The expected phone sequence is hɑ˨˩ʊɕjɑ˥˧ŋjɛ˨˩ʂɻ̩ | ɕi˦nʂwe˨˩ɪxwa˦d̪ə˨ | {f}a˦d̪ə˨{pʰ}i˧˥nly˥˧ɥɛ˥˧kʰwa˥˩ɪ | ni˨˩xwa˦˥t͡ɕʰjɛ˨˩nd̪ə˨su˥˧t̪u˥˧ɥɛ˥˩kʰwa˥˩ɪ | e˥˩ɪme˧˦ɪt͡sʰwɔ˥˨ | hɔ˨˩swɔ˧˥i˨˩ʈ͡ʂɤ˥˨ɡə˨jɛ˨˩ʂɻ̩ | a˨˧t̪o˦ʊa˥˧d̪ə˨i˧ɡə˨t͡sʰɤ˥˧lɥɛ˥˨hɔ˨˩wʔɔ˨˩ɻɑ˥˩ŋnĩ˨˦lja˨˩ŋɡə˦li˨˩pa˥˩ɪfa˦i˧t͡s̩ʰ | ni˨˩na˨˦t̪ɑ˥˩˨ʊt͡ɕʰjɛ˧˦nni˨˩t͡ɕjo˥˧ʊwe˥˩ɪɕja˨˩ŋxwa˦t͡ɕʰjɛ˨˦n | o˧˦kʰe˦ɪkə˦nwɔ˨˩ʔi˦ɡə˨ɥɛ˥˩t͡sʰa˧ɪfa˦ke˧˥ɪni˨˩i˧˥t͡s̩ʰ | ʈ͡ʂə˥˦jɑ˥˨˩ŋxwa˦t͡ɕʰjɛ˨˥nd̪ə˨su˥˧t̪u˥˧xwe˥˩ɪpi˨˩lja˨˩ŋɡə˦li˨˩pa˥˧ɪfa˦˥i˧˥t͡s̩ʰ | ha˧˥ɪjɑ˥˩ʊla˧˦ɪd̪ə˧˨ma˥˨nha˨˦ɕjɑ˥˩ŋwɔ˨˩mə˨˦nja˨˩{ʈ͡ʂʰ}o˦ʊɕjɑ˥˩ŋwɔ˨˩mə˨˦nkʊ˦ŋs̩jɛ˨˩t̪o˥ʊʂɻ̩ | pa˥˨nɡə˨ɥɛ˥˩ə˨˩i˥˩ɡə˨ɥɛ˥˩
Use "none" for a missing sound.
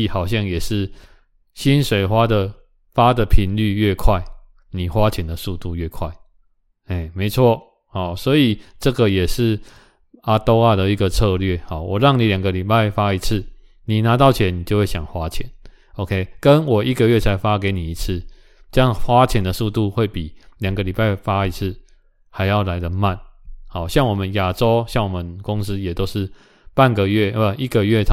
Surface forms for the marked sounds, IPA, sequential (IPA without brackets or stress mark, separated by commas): f, pʰ, ʈ͡ʂ